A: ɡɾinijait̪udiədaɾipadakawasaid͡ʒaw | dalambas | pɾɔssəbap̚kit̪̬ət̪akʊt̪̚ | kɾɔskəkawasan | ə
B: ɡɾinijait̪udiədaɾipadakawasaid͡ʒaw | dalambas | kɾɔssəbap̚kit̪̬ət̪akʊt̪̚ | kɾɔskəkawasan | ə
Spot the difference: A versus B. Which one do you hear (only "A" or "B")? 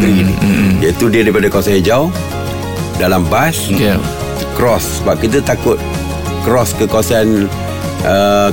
B